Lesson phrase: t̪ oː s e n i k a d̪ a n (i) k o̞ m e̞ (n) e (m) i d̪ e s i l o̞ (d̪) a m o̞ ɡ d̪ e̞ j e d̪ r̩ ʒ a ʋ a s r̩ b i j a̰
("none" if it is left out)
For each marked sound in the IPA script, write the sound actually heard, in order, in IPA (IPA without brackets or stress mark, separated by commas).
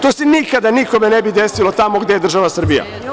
i, n, b, t̪